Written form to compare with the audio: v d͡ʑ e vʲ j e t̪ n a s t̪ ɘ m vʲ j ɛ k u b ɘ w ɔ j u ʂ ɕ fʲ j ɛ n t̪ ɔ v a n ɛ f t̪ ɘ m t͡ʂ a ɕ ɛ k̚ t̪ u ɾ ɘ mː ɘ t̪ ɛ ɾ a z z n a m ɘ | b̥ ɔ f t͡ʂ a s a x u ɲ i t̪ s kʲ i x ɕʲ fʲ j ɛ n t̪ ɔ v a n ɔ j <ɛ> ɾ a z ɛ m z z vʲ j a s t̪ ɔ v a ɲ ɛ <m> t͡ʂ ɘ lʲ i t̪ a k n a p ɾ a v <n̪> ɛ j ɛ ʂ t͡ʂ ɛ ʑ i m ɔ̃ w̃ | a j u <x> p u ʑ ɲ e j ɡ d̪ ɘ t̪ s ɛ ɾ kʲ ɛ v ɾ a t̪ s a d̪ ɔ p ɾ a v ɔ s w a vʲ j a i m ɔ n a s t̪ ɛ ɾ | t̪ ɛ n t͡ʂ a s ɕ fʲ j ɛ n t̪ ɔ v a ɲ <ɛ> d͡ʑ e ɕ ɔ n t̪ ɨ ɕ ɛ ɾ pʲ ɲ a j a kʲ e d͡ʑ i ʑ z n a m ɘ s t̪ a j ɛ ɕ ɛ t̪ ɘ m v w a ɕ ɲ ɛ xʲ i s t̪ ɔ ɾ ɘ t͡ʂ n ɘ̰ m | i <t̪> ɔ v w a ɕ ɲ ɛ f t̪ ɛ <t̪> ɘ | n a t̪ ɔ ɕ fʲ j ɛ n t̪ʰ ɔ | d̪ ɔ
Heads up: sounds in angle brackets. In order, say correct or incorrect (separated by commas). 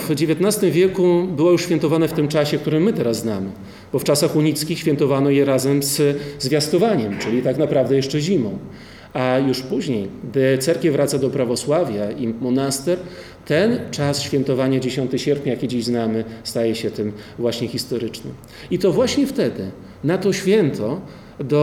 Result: correct, correct, incorrect, incorrect, incorrect, correct, incorrect